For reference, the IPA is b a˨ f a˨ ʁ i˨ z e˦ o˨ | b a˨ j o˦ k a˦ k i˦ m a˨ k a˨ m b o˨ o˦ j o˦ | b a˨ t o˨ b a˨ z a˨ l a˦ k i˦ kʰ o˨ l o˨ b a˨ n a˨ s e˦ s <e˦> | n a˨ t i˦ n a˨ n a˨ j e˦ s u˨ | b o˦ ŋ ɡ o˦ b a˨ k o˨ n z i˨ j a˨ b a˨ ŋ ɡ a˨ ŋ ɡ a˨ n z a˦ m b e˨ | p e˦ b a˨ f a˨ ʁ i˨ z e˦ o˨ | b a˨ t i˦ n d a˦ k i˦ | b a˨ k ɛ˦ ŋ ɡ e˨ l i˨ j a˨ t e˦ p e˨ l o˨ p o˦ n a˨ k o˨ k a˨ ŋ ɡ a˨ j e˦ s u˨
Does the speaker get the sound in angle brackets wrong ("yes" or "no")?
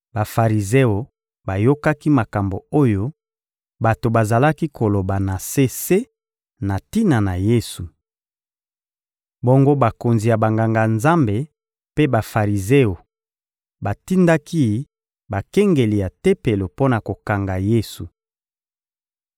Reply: no